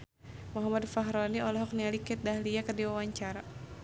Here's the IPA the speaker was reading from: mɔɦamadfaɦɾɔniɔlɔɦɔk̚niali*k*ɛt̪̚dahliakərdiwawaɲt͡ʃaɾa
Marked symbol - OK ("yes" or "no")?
yes